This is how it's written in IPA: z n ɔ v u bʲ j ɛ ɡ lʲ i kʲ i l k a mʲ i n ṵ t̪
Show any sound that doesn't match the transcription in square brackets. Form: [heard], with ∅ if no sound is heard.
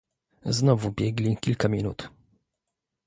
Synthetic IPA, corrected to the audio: z n ɔ v u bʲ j ɛ ɡ lʲ i kʲ i l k a mʲ i n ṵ t̪